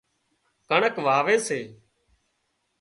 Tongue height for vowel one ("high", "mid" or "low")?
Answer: mid